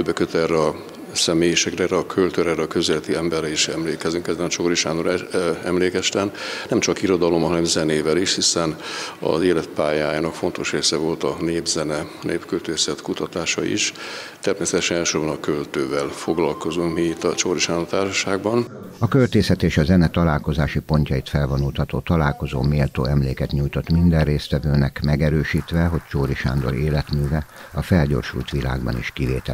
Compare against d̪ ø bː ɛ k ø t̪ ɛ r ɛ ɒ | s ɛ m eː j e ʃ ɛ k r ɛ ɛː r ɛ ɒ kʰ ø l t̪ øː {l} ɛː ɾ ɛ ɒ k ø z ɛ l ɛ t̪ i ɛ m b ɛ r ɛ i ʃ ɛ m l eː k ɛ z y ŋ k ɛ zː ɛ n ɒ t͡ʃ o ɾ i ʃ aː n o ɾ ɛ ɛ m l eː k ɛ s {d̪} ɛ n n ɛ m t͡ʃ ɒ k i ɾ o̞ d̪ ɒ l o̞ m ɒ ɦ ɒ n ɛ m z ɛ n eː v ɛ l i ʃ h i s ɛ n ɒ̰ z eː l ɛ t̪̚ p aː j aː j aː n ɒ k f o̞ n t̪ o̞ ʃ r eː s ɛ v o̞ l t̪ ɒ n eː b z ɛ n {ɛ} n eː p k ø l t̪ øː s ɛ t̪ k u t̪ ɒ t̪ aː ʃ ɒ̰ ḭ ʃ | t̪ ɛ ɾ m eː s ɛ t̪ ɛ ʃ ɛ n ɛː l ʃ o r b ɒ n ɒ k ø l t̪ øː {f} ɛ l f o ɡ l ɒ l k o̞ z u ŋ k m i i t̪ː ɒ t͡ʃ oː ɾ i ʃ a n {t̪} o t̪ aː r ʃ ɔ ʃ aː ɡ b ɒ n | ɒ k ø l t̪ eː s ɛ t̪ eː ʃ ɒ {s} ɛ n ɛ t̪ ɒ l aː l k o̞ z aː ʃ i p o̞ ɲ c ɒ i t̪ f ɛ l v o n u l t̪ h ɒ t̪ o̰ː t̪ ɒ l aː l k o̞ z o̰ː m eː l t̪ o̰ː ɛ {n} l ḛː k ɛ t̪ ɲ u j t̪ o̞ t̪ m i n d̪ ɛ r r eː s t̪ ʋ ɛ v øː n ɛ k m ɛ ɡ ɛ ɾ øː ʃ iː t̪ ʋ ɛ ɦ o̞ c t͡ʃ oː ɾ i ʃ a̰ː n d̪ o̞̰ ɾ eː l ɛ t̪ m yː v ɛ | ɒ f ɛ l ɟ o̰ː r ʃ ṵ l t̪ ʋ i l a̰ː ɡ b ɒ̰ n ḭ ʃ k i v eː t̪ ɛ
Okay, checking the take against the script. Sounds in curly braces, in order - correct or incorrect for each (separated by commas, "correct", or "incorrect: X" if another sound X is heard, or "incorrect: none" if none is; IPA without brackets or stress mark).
incorrect: ɾ, incorrect: t̪, correct, incorrect: v, incorrect: d̪, incorrect: z, incorrect: m